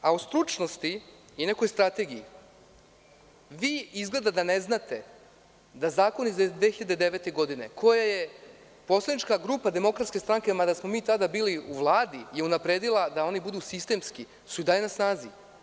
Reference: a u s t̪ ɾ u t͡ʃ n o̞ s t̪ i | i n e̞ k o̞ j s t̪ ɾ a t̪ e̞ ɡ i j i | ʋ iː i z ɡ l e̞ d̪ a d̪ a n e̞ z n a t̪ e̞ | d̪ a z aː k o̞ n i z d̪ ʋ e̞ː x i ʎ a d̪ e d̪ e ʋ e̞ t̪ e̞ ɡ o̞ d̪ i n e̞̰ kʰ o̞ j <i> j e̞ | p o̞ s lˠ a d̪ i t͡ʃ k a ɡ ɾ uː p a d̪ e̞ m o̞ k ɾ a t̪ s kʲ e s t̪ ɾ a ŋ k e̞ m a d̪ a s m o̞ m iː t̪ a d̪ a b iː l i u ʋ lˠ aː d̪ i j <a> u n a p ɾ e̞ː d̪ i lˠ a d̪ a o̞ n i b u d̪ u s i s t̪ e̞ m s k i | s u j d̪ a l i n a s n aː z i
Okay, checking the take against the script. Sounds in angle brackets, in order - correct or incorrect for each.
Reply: incorrect, incorrect

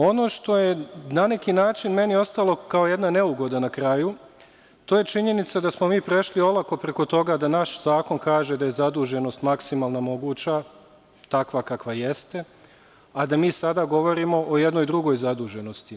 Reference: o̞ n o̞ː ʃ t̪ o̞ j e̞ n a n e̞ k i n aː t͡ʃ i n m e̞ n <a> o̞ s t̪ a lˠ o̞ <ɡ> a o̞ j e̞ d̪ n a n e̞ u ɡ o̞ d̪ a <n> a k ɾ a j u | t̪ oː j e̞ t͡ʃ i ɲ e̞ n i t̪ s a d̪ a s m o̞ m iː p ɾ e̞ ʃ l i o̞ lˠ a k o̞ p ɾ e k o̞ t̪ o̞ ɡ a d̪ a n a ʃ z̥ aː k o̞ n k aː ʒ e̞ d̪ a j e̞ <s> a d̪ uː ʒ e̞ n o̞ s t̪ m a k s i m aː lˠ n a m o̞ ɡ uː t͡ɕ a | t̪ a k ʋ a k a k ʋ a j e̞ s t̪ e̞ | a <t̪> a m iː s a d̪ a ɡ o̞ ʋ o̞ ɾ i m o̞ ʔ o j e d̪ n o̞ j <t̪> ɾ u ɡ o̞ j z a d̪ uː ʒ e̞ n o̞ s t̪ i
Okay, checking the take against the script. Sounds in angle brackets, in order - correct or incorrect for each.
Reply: incorrect, incorrect, correct, incorrect, incorrect, incorrect

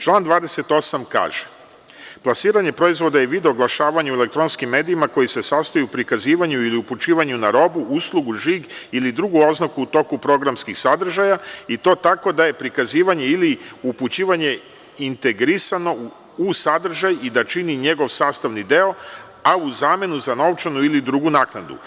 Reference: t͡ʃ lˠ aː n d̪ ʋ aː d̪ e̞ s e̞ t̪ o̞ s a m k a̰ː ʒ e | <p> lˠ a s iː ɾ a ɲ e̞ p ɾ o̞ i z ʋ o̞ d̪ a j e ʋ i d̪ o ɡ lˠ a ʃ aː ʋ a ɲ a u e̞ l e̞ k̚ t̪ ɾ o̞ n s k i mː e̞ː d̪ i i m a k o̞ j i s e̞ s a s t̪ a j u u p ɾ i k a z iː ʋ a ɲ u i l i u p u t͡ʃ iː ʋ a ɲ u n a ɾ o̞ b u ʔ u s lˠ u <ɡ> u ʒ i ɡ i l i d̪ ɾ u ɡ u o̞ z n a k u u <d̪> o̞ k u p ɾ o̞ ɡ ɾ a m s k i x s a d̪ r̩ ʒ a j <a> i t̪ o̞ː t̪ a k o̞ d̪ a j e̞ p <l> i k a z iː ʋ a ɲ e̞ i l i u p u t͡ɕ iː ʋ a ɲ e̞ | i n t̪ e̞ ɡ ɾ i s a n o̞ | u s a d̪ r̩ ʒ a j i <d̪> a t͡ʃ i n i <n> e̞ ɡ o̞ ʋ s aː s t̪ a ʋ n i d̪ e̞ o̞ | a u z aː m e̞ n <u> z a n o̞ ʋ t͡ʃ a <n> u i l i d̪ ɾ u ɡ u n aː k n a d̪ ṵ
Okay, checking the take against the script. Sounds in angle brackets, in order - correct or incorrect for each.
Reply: correct, correct, incorrect, correct, incorrect, correct, incorrect, correct, correct

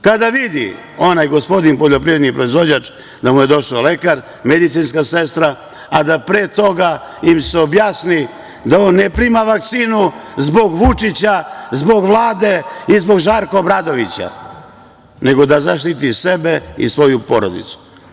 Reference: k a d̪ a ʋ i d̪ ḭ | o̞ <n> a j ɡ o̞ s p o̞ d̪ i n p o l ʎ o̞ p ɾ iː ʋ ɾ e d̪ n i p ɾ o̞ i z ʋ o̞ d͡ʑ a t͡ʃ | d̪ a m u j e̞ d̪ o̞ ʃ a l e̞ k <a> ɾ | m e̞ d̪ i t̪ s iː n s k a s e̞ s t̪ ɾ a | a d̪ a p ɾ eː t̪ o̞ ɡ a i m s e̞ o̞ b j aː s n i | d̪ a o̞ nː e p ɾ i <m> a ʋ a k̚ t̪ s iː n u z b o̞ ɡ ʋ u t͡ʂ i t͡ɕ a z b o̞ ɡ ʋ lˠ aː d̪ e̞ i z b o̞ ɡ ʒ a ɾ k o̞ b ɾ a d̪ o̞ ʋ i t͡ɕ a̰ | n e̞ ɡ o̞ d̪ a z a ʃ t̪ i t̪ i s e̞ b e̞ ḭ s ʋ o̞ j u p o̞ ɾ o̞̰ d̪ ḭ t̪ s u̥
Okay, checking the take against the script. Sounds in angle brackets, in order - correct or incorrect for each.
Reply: correct, correct, correct

